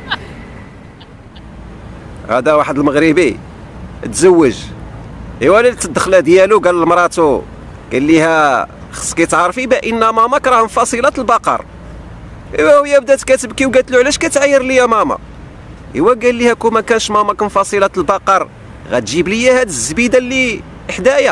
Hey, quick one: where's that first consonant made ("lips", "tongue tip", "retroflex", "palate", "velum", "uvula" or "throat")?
throat